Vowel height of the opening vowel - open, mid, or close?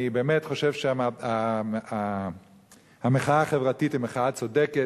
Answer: close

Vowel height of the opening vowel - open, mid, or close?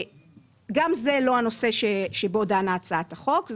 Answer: open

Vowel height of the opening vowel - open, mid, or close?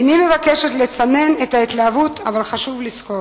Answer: close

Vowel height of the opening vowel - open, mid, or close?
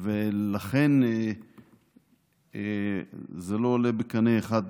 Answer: mid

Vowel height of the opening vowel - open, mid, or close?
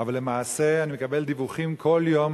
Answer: open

